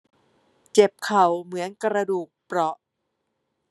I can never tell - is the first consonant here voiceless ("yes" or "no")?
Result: yes